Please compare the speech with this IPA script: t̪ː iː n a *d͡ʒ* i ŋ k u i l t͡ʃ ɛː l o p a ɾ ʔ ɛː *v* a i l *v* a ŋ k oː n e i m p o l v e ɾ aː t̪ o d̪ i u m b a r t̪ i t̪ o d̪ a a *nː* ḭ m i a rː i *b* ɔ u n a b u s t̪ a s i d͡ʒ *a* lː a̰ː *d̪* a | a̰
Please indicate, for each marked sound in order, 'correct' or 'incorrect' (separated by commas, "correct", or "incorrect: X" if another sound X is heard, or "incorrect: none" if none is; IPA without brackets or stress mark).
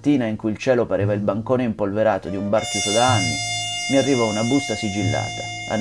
incorrect: none, correct, incorrect: b, correct, incorrect: v, incorrect: i, incorrect: t̪